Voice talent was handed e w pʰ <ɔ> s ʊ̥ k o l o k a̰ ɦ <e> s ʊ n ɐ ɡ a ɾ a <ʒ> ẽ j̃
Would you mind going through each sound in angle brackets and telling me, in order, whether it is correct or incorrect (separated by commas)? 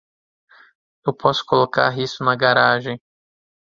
correct, incorrect, correct